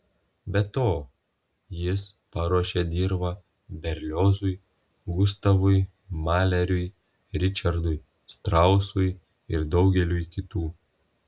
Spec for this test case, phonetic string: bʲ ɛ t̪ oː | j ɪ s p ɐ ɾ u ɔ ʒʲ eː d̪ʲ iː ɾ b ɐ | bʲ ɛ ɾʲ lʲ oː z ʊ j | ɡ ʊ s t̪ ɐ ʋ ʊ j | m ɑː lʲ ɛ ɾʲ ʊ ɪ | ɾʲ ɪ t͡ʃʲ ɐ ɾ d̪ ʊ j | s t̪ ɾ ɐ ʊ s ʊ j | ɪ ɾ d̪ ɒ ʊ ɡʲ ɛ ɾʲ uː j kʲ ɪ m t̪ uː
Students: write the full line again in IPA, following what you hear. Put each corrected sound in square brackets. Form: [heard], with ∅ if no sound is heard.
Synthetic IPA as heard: bʲ ɛ t̪ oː | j ɪ s p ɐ ɾ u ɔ [ʃʲ] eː d̪ʲ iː ɾ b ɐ | bʲ ɛ ɾʲ lʲ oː z ʊ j | ɡ ʊ s t̪ ɐ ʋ ʊ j | m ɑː lʲ ɛ ɾʲ ʊ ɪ | ɾʲ ɪ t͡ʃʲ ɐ ɾ d̪ ʊ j | s t̪ ɾ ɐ ʊ s ʊ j | ɪ ɾ d̪ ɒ ʊ ɡʲ ɛ [lʲ] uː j kʲ ɪ [∅] t̪ uː